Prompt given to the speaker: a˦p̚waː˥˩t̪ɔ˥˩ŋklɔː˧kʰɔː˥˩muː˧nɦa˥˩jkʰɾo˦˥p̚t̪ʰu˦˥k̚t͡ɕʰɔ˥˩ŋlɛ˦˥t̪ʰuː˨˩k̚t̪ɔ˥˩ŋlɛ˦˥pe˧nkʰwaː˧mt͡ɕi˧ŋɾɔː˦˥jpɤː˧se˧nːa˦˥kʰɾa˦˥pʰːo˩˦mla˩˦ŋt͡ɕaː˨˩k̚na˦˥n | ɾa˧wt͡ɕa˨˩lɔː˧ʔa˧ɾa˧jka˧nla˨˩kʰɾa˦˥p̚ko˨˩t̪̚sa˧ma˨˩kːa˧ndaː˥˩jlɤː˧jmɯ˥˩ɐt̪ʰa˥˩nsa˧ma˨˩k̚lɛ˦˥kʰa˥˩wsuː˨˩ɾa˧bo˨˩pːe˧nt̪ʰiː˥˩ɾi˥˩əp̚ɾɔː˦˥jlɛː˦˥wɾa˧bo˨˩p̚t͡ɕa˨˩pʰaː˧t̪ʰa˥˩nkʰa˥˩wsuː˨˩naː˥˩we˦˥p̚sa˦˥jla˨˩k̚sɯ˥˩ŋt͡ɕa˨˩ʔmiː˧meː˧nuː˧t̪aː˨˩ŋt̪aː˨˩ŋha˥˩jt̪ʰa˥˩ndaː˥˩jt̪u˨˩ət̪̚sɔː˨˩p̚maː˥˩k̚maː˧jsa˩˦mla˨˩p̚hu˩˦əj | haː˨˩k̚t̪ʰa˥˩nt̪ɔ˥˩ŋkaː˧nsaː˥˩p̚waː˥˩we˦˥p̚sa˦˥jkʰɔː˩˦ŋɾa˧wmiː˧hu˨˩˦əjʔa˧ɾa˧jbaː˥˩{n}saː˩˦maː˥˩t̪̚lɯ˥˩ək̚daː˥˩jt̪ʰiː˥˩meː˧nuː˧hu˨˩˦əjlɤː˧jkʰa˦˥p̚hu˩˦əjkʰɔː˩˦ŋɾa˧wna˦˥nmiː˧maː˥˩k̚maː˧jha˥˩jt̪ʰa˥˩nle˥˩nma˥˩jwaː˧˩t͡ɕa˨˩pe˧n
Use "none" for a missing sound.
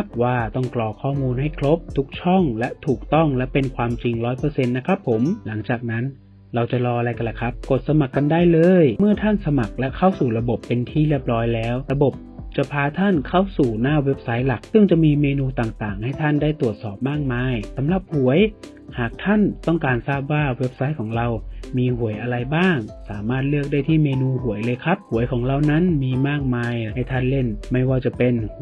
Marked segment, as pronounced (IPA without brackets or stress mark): ŋ